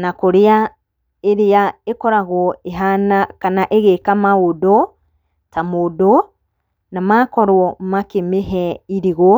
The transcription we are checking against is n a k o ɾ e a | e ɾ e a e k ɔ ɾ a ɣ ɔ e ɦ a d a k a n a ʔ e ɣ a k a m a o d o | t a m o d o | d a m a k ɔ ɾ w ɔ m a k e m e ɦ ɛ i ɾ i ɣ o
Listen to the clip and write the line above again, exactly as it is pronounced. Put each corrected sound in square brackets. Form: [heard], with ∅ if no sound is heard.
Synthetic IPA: n a k o ɾ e a | e ɾ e a e k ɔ ɾ a ɣ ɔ e ɦ a [n] a k a n a ʔ e ɣ [e] k a m a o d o | t a m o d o | [n] a m a k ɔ ɾ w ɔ m a k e m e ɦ ɛ i ɾ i ɣ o